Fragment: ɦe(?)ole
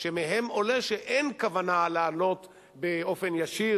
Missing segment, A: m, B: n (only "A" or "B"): A